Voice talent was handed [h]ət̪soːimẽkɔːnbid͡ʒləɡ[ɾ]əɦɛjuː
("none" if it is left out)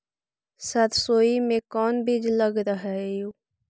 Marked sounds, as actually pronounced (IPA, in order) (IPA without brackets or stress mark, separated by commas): s, ɾ